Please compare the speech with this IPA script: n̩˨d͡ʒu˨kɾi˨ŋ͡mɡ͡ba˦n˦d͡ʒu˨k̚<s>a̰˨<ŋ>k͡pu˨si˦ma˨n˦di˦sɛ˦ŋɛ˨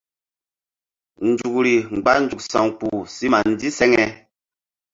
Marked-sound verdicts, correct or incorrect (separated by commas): correct, correct